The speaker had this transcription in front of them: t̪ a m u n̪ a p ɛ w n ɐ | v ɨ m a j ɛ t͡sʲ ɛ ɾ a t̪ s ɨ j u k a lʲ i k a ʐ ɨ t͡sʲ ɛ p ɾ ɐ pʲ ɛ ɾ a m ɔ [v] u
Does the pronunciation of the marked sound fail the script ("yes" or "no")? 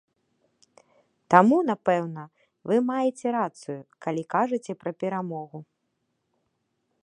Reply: yes